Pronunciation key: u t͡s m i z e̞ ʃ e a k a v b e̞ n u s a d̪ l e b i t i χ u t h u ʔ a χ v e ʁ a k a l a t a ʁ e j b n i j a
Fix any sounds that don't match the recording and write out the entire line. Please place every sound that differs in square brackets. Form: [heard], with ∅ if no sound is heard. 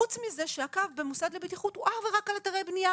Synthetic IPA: u t͡s m i z e̞ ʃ e a k a v b e̞ [m] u s a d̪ l e b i t i χ u t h u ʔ a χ v e ʁ a k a l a t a ʁ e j b n i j a